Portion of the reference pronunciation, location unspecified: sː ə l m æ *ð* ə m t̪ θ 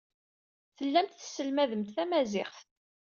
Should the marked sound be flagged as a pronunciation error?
no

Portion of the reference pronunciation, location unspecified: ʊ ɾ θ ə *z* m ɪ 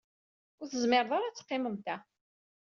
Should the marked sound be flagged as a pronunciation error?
no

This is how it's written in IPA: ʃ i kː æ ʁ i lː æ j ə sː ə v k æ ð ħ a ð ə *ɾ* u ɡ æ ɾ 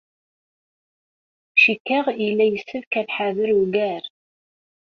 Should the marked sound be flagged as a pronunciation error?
no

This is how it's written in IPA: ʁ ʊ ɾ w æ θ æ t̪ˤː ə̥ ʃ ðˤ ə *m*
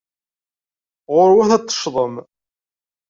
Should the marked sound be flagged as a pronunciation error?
no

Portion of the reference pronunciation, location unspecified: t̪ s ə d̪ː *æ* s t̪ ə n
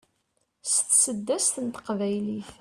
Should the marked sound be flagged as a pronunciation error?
no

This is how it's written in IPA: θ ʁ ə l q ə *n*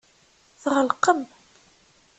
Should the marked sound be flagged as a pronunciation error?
yes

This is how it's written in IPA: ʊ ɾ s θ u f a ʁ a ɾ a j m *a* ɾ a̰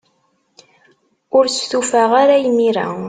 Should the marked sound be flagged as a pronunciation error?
yes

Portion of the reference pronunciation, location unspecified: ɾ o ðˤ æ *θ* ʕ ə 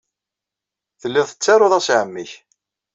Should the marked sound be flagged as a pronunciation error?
yes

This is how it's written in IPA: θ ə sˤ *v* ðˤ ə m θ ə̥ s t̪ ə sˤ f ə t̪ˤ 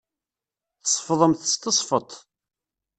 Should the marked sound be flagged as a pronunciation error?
yes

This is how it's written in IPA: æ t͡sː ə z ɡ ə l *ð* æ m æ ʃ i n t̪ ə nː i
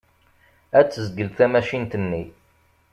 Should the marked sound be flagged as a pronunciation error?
yes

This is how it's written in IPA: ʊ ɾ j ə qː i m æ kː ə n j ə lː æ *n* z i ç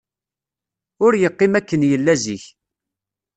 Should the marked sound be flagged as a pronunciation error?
yes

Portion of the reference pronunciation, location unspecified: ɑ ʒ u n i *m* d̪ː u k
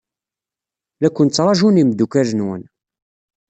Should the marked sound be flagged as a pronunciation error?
no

